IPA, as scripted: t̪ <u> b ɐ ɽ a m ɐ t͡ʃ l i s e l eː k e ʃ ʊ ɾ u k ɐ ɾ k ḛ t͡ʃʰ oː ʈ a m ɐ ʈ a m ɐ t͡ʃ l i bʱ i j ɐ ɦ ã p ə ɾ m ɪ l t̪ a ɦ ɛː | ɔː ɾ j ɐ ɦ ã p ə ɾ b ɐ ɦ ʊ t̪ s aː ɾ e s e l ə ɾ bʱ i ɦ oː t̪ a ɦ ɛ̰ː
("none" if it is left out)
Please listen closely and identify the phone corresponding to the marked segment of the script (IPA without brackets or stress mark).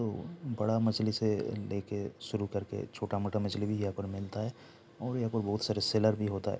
o